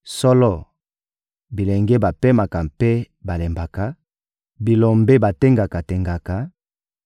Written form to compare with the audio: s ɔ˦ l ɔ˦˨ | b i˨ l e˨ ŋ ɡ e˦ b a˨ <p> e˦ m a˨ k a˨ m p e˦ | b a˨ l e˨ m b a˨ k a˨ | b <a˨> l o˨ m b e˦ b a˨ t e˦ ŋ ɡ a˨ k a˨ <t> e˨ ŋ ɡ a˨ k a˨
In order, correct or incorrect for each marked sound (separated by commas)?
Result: correct, incorrect, correct